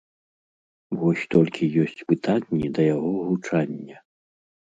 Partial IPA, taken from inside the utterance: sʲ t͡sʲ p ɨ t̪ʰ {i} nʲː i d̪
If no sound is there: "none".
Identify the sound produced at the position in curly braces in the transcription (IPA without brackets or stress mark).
a